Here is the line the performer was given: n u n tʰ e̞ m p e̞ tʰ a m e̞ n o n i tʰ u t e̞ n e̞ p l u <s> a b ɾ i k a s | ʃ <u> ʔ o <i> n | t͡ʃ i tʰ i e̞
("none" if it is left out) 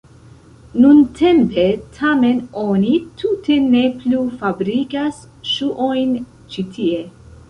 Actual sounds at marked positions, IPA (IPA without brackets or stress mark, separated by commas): f, u, j